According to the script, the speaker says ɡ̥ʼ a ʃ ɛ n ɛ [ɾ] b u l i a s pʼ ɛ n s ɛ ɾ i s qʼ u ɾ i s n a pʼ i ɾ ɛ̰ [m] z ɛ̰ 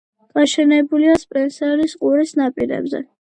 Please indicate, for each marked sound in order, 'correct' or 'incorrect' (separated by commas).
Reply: incorrect, incorrect